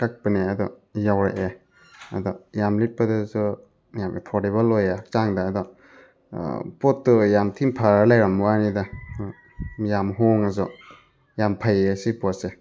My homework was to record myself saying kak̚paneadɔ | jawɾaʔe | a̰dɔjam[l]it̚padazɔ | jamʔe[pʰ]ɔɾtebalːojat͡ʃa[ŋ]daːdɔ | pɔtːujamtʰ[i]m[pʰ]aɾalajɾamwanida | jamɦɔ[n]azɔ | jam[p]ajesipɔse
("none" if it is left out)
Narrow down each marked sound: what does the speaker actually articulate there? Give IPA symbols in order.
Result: l, pʰ, ŋ, i, pʰ, ŋ, pʰ

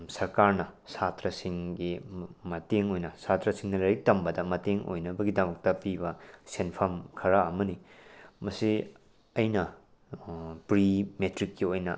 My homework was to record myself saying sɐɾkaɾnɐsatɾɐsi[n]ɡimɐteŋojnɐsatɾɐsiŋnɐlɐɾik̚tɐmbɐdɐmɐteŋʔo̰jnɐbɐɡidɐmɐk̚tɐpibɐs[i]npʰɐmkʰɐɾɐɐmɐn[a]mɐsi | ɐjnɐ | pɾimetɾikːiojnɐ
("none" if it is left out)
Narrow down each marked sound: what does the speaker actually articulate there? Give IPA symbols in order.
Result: ŋ, e, i

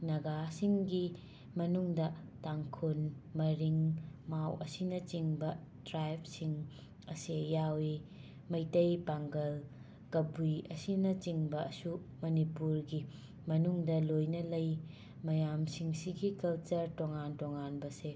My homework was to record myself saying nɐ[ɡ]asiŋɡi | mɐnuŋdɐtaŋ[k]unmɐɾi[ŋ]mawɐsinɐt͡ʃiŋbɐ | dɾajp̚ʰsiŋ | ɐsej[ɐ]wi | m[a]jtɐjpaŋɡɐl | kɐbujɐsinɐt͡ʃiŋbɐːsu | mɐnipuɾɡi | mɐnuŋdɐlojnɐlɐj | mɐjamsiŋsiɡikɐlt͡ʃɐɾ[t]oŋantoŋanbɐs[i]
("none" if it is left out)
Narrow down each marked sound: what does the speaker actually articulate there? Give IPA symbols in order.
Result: ɡ, kʰ, ŋ, a, ɐ, t, e

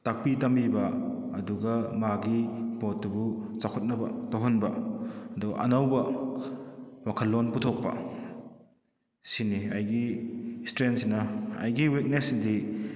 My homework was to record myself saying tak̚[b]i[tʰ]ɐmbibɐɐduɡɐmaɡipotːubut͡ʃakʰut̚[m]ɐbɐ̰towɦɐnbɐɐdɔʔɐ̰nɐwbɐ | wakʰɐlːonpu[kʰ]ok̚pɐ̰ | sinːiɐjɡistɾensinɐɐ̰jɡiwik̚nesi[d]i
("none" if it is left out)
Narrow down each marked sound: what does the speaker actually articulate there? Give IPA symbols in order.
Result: p, t, n, tʰ, d

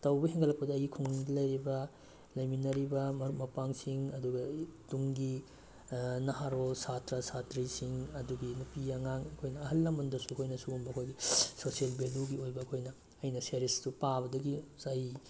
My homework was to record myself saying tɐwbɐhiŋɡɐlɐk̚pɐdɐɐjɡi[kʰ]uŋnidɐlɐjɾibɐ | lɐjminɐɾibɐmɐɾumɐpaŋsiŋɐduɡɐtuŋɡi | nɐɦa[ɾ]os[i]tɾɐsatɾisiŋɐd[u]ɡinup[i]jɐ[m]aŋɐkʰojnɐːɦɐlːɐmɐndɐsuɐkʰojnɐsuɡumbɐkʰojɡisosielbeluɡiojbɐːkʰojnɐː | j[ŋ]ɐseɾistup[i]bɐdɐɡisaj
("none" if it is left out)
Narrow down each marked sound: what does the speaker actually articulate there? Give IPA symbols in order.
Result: kʰ, ɾ, a, u, i, ŋ, n, a

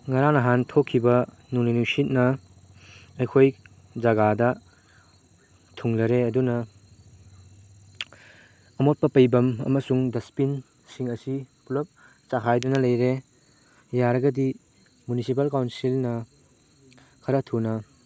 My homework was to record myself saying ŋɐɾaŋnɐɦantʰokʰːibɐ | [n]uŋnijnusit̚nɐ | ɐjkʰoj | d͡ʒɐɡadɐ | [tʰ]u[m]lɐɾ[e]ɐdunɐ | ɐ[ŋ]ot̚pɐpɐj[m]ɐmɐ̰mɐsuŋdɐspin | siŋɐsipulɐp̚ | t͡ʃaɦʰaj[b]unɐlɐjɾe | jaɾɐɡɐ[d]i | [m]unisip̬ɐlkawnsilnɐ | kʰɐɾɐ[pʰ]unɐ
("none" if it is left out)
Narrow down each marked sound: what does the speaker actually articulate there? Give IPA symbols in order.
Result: n, tʰ, ŋ, e, m, b, d, d, m, tʰ

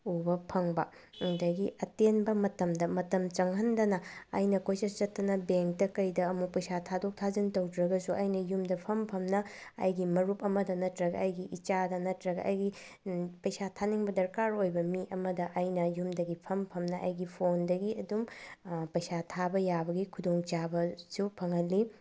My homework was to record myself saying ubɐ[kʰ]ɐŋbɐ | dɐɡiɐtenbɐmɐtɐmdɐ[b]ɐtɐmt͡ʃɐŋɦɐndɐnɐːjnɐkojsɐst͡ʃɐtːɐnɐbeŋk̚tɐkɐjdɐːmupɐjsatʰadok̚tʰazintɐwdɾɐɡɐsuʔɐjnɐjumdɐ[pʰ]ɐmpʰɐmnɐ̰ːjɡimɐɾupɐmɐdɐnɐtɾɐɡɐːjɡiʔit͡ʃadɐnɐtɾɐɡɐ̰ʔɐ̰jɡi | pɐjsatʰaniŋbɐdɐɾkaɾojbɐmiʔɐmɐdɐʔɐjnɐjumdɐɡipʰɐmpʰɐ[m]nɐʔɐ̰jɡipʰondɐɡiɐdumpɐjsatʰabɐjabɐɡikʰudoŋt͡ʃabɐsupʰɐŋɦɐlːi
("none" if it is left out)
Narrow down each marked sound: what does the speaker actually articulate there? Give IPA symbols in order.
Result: pʰ, m, pʰ, m

